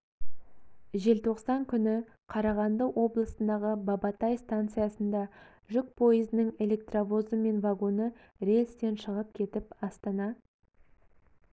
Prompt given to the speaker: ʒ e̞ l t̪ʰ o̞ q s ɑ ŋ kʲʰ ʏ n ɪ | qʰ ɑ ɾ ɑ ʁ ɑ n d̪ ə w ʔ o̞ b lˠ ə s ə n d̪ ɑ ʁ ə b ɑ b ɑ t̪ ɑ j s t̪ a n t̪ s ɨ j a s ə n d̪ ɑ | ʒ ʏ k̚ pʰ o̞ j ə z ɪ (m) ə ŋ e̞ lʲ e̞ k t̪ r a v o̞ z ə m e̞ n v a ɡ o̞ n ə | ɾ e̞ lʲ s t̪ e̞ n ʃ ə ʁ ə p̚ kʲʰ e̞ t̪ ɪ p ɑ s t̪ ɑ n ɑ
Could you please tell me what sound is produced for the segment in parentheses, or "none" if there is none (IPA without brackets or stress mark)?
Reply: n